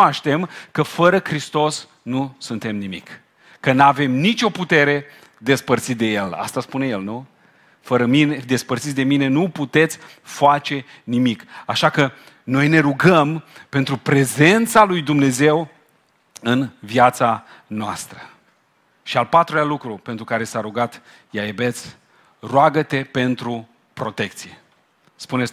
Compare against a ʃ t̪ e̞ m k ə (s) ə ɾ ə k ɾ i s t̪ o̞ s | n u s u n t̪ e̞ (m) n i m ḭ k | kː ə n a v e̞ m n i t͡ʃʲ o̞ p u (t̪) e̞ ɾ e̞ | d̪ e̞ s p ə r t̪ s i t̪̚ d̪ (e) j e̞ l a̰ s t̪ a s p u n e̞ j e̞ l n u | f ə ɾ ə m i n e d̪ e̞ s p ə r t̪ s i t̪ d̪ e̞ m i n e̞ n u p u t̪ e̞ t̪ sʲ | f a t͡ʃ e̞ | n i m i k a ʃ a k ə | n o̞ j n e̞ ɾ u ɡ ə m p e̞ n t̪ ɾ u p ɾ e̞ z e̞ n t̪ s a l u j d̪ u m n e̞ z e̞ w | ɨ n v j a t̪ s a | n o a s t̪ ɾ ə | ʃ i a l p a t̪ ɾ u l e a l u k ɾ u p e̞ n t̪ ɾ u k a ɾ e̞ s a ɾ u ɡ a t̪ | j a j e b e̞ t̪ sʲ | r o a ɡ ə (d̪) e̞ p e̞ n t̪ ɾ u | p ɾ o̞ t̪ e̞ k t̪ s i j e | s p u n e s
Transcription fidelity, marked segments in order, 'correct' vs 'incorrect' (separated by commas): incorrect, correct, correct, correct, incorrect